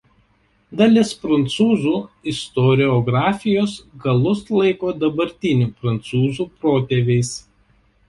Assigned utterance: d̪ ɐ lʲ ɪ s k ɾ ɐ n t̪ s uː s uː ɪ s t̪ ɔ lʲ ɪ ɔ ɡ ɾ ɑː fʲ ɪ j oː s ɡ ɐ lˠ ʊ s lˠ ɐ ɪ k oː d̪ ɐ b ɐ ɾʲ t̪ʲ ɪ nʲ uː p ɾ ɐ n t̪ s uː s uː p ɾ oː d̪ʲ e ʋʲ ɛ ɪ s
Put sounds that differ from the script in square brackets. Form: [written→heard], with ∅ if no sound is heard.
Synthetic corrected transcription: d̪ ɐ lʲ ɪ s [k→p] ɾ ɐ n t̪ s uː [s→z] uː ɪ s t̪ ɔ [lʲ→ɾʲ] ɪ ɔ ɡ ɾ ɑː fʲ ɪ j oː s ɡ ɐ lˠ ʊ s lˠ ɐ ɪ k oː d̪ ɐ b ɐ ɾʲ t̪ʲ ɪ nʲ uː p ɾ ɐ n t̪ s uː [s→z] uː p ɾ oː [d̪ʲ→t̪ʲ] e ʋʲ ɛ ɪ s